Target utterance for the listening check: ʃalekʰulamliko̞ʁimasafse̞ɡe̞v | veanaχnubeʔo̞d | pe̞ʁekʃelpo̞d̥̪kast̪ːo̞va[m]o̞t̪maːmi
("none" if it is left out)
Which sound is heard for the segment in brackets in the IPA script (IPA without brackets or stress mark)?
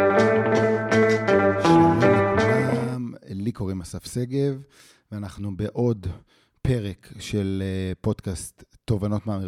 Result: n